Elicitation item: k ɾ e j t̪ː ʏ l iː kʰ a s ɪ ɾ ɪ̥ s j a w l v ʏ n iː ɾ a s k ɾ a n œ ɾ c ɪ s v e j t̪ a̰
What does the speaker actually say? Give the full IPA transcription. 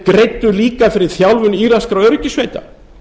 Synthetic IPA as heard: k ɾ e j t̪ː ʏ l iː k a f ɪ ɾ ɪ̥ θ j a w l v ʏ n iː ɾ a s k ɾ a œ ɾ c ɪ s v e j t̪ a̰

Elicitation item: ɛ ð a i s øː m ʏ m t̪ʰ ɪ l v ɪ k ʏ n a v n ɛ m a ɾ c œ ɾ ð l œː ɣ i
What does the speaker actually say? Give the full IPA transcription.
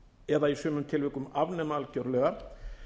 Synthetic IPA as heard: ɛ ð a i s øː m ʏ m t̪ʰ ɪ l v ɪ k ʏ m a v n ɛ m a l c œ ɾ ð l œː ɣ a

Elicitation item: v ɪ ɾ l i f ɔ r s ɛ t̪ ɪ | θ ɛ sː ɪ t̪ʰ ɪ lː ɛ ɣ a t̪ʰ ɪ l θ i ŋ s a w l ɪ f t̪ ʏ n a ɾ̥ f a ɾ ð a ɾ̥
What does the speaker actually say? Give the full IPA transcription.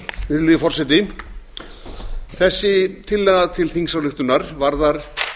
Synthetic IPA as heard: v ɪ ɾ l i f ɔ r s ɛ t̪ ɪ | θ ɛ sː ɪ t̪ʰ ɪ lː ɛ ɣ a t̪ʰ ɪ l θ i ŋ s a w l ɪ x t̪ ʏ n a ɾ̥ v a ɾ ð a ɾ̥

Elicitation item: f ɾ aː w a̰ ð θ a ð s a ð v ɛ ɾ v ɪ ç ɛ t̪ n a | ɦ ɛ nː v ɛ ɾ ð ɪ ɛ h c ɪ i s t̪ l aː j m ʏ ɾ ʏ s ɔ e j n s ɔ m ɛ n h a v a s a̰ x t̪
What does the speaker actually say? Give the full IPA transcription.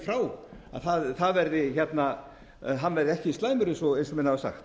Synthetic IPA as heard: f ɾ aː w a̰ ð θ a ð θ a ð v ɛ ɾ ð ɪ ç ɛ t̪ n a | ɦ a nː v ɛ ɾ ð ɪ ɛ h c ɪ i s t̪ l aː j m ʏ ɾ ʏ s ɔ e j n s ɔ m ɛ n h a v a s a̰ x t̪

